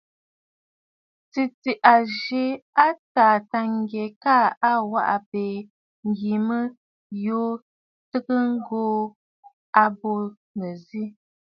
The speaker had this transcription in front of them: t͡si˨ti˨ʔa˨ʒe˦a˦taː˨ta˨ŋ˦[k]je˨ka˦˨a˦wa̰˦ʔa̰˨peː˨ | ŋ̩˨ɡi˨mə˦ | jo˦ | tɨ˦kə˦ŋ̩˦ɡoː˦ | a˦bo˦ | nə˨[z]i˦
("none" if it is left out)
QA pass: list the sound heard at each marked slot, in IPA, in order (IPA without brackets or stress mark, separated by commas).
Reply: ɡ, z